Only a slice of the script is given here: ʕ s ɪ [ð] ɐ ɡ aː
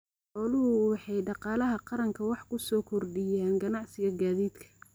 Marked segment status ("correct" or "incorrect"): incorrect